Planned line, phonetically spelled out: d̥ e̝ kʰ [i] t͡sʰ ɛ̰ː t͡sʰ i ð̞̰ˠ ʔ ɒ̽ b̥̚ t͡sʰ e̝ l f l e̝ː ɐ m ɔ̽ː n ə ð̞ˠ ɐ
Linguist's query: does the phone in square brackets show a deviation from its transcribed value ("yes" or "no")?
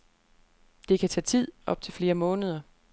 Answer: yes